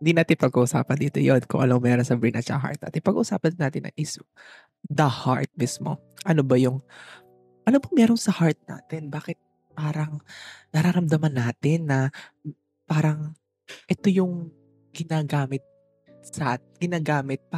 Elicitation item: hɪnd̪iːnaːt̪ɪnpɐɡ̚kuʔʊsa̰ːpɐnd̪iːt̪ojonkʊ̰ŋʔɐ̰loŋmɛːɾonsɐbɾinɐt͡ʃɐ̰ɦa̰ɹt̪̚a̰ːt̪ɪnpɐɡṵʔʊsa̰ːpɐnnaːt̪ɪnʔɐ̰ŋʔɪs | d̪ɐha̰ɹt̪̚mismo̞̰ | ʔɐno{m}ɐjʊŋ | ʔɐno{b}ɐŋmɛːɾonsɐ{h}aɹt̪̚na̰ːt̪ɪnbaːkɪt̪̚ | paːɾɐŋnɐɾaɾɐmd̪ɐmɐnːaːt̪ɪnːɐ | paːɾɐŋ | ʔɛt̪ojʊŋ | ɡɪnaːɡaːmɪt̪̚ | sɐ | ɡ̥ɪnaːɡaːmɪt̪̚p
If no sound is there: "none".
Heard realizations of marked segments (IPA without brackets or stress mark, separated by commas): b, b, h